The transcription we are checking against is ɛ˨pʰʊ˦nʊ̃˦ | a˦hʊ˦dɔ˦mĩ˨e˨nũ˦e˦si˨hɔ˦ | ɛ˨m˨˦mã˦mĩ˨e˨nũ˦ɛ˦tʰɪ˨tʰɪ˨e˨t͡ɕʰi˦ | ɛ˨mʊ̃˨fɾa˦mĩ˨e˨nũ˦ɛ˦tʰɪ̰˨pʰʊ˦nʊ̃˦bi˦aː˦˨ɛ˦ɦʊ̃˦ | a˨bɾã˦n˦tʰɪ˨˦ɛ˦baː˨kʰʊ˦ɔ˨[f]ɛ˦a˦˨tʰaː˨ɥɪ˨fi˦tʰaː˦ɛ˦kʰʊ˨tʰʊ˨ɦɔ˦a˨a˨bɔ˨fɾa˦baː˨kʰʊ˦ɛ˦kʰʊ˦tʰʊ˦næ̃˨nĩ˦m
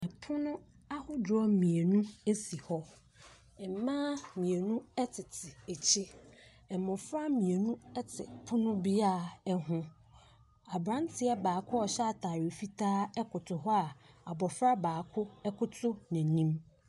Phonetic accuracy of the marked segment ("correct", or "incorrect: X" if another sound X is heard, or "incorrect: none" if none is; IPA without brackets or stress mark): incorrect: ɕ